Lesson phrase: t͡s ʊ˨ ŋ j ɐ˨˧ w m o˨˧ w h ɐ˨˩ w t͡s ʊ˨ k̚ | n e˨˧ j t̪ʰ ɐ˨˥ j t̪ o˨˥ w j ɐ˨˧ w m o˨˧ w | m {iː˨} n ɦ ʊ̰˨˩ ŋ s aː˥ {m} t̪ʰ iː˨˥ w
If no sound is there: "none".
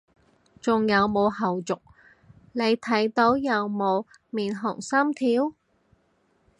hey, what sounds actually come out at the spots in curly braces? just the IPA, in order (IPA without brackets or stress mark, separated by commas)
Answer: iː˨, m